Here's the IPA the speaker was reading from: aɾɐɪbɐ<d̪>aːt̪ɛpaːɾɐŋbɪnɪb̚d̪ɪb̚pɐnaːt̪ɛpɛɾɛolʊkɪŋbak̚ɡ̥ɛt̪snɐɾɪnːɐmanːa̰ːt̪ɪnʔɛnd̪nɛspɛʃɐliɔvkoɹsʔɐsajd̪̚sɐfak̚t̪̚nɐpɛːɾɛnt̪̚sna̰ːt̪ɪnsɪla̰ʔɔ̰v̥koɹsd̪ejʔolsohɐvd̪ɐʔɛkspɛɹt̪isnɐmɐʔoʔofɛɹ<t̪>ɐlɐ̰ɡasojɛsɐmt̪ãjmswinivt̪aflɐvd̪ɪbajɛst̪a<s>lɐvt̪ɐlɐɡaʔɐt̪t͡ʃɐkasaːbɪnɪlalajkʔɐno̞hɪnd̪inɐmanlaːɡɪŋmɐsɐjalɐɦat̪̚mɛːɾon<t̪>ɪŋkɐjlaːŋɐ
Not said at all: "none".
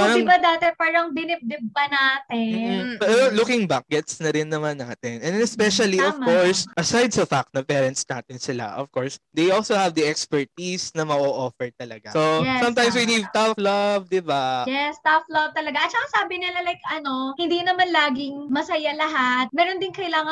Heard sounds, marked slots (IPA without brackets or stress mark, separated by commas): d̪, t̪, f, d̪